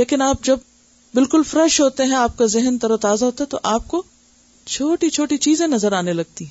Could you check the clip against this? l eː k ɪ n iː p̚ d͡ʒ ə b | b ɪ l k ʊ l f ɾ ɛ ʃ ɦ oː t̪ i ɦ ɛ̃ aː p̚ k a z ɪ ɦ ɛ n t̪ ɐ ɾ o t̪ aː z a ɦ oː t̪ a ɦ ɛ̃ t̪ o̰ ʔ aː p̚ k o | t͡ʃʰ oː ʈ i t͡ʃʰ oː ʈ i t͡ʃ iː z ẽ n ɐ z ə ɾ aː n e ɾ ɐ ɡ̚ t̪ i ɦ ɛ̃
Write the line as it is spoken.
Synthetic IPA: l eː k ɪ n aː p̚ d͡ʒ ɐ b | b ɪ l k ʊ l f ɾ ɛ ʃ ɦ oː t̪ e ɦ ɛ̃ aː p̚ k a z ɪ ɦ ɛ n t̪ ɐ ɾ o t̪ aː z a ɦ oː t̪ a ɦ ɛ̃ t̪ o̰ ʔ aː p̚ k o | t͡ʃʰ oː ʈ i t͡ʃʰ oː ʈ i t͡ʃ iː z ẽ n ɐ z ə ɾ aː n e l ɐ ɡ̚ t̪ i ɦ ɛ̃